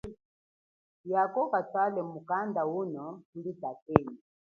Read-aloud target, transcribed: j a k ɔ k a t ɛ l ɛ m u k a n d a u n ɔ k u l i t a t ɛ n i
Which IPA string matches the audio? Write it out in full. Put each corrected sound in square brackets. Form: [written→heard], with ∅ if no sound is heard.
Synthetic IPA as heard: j a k ɔ k a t [ɛ→a] l ɛ m u k a n d a u n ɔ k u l i t a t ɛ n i

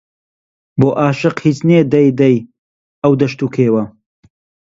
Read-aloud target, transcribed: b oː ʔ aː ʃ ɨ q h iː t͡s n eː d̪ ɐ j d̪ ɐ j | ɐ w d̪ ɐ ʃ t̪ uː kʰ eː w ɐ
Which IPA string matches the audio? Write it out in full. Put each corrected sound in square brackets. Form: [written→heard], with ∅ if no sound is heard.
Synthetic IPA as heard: b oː ʔ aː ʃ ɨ q h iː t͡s n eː d̪ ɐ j d̪ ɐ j | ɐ w d̪ ɐ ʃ t̪ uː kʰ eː w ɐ

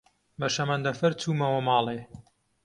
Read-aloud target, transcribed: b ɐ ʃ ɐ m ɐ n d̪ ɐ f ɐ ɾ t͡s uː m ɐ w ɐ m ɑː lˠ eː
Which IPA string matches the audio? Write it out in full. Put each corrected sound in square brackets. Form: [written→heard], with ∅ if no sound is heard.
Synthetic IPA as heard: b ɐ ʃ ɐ m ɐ n d̪ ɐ f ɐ ɾ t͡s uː m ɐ w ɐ m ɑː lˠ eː

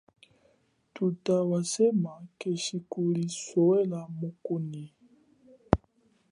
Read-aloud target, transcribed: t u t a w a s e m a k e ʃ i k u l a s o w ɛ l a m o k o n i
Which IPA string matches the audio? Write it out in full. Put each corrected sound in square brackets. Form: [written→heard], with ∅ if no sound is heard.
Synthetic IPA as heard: t u t a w a s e m a k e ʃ i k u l [a→i] s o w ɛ l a m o k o n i

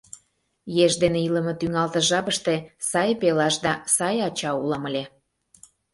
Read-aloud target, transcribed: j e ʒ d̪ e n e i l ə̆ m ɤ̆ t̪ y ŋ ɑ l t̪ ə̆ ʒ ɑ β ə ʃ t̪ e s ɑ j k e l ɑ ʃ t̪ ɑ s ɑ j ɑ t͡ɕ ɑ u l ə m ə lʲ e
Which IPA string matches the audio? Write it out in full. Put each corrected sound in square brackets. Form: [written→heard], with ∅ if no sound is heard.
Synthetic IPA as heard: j e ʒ d̪ e n e i l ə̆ m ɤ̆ t̪ y ŋ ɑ l t̪ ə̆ ʒ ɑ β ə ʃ t̪ e s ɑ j [k→p] e l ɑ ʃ [t̪→d̪] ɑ s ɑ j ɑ t͡ɕ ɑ u l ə m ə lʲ e

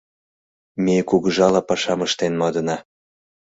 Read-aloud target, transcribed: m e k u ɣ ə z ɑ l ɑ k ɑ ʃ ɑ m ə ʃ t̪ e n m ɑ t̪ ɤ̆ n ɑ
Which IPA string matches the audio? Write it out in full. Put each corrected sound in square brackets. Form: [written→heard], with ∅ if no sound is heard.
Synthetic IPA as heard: m e k u ɣ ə [z→ʒ] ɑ l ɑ [k→p] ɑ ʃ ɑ m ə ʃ t̪ e n m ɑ [t̪→d̪] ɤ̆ n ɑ

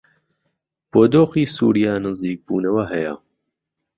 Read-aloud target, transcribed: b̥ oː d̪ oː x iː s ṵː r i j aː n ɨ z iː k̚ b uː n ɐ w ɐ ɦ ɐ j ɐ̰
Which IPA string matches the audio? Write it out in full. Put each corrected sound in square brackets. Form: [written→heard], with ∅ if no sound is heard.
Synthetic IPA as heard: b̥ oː d̪ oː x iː s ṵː [r→ɾ] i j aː n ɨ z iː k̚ b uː n ɐ w ɐ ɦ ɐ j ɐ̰

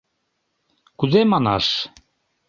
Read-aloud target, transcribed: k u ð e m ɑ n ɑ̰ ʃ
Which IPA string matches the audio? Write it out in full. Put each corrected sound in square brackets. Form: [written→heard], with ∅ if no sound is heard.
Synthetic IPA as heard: k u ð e m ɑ n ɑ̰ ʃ

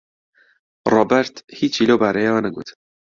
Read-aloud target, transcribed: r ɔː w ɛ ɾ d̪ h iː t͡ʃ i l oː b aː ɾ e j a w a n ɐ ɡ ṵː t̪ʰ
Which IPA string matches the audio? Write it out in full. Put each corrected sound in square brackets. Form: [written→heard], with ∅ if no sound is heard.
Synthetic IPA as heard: r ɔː [w→b] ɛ ɾ [d̪→t̪] h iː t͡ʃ i l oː b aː ɾ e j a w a n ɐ ɡ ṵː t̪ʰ

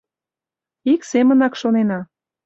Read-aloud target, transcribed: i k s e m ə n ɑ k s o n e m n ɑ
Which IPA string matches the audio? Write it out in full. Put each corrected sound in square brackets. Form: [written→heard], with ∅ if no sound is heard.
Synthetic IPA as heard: i k s e m ə n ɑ k [s→ʃ] o n e [m→∅] n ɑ

